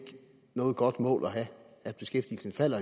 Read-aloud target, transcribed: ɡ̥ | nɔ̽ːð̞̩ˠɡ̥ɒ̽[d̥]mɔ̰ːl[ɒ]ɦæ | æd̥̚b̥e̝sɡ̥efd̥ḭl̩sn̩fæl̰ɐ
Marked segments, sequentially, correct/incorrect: correct, correct

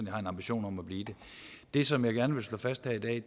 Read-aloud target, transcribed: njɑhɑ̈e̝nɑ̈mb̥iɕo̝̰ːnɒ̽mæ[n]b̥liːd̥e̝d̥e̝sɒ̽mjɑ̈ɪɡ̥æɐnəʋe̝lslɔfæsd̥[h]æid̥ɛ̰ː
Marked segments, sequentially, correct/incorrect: incorrect: none, correct

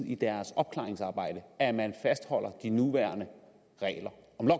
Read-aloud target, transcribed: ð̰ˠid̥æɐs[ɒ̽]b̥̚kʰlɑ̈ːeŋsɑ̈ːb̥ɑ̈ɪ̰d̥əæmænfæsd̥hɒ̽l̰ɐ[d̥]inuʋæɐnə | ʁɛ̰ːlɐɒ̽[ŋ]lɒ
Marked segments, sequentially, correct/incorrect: correct, correct, incorrect: m

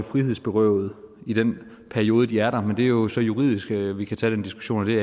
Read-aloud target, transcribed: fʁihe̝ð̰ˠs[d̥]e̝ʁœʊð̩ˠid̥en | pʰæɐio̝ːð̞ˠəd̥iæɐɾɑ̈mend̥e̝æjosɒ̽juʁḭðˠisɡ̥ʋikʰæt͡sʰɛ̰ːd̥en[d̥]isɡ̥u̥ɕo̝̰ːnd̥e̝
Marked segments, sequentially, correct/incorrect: incorrect: b̥, correct

